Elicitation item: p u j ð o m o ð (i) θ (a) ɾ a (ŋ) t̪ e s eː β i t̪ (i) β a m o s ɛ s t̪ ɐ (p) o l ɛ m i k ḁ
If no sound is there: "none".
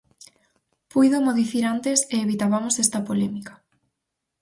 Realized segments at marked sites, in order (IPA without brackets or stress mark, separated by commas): i, i, n, a, p